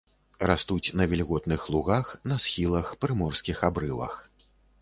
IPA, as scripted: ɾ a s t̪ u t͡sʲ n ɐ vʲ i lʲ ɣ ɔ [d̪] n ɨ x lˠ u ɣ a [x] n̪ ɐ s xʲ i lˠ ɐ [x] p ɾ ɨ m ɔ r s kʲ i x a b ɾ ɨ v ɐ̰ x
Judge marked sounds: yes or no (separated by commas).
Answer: no, yes, yes